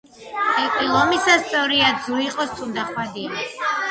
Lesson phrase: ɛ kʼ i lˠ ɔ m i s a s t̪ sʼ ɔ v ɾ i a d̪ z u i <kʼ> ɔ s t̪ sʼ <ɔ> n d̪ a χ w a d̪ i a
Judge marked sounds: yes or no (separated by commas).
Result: no, no